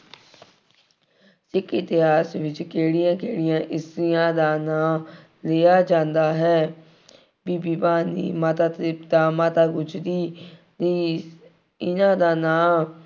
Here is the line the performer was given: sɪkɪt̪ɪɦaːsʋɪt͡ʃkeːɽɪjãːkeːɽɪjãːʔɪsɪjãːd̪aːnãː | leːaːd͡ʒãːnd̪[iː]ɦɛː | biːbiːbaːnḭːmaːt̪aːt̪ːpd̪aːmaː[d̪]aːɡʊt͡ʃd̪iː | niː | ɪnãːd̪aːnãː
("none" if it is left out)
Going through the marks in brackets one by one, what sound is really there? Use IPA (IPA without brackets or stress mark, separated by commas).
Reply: aː, t̪